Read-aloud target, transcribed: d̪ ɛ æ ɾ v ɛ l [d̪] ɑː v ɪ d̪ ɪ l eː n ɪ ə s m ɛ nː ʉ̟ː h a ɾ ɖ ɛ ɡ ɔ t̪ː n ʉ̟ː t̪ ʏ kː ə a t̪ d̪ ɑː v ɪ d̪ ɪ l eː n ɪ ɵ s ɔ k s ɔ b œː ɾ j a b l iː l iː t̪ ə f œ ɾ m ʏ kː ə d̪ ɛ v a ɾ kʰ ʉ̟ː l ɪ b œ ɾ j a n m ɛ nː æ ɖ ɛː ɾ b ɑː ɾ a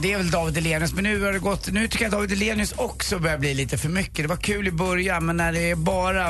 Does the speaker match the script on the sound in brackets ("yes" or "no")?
yes